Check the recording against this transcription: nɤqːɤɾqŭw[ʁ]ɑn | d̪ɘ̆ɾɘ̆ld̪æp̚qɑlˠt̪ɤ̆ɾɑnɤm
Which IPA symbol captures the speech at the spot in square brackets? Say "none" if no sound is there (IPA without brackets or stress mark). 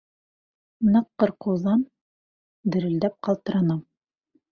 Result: ð